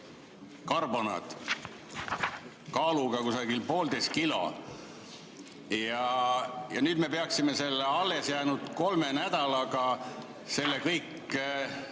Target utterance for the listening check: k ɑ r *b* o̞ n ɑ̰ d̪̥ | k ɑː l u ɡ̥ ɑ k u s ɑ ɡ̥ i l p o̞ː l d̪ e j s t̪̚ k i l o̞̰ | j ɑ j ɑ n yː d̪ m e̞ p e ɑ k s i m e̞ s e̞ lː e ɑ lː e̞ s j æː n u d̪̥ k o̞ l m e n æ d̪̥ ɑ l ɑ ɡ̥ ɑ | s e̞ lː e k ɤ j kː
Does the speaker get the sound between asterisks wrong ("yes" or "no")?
no